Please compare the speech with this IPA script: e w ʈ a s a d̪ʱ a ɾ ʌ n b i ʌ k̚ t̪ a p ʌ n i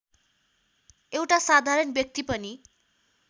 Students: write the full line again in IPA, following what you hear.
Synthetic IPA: e w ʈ a s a d̪ʱ a ɾ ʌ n b j ʌ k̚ t̪ i p ʌ n i